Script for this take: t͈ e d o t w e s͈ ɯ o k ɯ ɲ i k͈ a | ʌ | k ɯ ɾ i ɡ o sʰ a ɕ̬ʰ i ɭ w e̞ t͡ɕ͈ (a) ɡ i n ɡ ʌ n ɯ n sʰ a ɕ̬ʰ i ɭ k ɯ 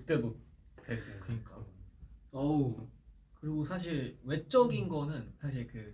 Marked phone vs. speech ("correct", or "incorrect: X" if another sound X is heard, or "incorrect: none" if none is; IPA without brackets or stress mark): incorrect: ʌ